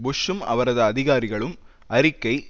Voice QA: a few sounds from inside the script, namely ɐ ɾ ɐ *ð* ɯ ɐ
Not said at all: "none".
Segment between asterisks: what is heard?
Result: ð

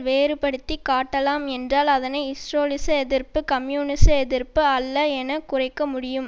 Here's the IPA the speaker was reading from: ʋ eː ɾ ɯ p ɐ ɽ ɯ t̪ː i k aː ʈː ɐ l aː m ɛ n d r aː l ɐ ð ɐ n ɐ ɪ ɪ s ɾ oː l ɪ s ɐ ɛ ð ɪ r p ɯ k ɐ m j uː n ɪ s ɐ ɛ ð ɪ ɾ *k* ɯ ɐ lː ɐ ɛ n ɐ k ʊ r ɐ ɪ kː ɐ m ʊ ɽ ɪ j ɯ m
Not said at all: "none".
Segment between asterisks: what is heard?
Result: p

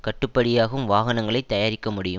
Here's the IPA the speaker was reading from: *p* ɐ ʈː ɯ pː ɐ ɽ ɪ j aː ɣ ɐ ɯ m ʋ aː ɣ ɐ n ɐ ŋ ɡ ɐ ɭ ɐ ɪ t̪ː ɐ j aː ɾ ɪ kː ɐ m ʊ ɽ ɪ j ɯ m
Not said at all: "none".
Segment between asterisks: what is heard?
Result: k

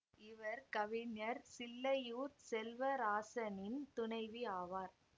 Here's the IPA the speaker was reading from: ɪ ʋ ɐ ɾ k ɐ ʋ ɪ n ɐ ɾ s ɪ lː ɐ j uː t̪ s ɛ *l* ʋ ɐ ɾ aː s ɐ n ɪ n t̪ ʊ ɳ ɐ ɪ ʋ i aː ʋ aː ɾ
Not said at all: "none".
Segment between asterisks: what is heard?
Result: l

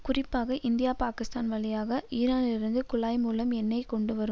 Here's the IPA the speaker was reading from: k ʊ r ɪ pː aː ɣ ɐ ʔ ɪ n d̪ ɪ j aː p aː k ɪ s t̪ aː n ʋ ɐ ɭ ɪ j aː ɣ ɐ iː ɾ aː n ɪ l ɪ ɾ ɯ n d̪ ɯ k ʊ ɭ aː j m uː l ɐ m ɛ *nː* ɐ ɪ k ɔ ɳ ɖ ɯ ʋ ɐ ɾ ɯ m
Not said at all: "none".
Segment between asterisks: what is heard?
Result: nː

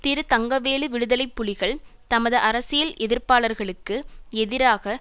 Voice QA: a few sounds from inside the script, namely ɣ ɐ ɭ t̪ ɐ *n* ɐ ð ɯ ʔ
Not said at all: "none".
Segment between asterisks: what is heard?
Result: m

